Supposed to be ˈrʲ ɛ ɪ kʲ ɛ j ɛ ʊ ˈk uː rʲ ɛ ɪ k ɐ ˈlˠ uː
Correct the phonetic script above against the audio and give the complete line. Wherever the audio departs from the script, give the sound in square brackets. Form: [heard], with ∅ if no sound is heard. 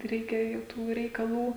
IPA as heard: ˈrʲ ɛ ɪ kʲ ɛ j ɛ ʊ [ˈt] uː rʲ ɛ ɪ k ɐ ˈlˠ uː